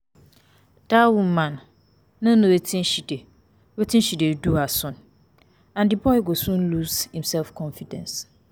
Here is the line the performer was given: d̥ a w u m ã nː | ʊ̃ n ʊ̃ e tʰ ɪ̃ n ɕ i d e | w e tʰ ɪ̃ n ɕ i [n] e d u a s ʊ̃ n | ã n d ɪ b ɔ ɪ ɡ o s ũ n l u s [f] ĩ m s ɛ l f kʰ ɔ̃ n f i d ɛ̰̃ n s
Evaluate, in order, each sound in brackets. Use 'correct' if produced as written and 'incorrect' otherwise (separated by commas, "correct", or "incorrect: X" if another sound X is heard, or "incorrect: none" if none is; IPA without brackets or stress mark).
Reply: incorrect: d, incorrect: h